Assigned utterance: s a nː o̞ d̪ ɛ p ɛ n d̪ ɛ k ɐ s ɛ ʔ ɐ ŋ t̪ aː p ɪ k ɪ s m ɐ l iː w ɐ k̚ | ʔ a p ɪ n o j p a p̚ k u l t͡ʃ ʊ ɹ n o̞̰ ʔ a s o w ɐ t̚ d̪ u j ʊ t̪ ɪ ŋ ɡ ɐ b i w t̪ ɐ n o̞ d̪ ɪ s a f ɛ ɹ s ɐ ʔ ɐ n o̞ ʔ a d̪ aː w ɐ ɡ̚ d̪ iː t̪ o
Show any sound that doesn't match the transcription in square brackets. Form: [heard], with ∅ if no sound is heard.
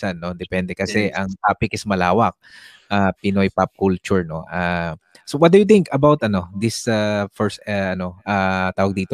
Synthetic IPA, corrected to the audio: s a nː o̞ d̪ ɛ p ɛ n d̪ ɛ k ɐ s ɛ ʔ ɐ ŋ t̪ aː p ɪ k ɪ s m ɐ l [aː] w ɐ k̚ | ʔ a p ɪ n o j p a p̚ k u l t͡ʃ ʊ ɹ n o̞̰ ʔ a s o w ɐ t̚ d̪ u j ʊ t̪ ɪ ŋ [k] ɐ b [a] w t̪ ɐ n o̞ d̪ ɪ s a f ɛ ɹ s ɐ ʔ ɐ n o̞ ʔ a [t̪] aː w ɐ ɡ̚ d̪ iː t̪ o